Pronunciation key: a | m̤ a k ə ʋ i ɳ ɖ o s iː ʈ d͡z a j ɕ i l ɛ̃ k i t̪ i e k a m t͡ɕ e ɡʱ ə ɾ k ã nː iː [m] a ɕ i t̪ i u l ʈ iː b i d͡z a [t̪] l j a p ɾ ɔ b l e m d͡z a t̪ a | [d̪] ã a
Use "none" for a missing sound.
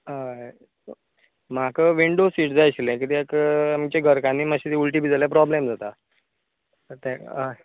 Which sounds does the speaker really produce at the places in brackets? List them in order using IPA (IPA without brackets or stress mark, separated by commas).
m, none, t̪